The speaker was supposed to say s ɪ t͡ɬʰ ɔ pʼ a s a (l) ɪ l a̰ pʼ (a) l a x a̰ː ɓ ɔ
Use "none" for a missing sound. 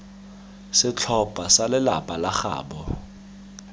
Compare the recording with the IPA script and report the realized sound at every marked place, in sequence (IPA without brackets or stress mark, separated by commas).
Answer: l, a